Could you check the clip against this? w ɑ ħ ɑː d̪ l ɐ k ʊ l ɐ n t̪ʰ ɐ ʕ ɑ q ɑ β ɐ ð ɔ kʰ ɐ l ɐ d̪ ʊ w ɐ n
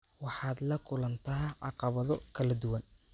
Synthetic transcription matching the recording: w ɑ ħ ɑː d̪ l ɐ kʰ ʊ l ɐ n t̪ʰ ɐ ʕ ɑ q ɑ β ɐ ð ɔ kʰ ɐ l ɐ d̪ ʊ w ɐ n